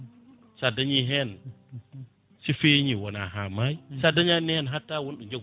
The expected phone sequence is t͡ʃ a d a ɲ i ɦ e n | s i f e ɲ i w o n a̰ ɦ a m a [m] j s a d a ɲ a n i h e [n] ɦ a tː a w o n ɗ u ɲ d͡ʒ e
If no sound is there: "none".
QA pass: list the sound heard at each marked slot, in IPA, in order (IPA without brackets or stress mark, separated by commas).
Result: none, n